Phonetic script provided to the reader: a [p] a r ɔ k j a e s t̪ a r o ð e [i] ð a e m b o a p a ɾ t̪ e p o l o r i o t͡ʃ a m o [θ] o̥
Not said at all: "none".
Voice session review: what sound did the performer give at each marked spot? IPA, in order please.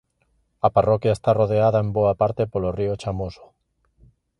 p, a, s

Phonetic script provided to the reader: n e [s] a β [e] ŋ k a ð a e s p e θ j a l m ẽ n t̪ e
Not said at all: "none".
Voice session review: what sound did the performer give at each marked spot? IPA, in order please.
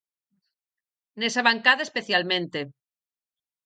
s, a

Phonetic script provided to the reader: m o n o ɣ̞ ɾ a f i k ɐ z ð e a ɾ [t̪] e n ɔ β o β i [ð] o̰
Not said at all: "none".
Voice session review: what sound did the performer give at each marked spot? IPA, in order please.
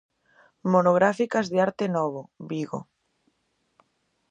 t̪, ɣ

